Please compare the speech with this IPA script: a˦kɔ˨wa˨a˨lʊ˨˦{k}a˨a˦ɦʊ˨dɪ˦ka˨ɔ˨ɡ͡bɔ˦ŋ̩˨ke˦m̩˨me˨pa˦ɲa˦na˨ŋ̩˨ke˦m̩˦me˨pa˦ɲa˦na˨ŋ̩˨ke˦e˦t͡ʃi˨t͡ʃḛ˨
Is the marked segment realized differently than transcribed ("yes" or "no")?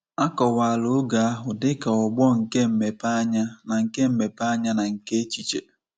yes